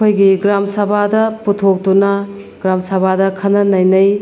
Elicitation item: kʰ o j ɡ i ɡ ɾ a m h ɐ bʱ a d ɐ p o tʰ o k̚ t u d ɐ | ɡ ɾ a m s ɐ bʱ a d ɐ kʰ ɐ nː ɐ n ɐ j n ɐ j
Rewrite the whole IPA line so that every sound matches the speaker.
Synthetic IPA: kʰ o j ɡ i ɡ ɾ a m s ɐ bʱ a d ɐ p u tʰ o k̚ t u n ɐ | ɡ ɾ a m s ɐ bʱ a d ɐ kʰ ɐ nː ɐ n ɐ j n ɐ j